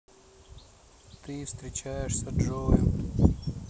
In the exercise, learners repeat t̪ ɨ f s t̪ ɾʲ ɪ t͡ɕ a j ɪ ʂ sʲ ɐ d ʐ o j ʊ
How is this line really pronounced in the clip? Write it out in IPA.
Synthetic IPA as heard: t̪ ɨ f s t̪ ɾʲ ɪ t͡ɕ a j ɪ ʂ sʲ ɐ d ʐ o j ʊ